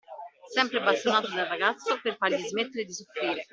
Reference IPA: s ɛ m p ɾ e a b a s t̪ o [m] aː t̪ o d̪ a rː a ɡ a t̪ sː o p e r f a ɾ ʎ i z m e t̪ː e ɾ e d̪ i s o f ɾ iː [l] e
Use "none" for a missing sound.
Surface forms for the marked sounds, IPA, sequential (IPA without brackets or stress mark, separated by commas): n, ɾ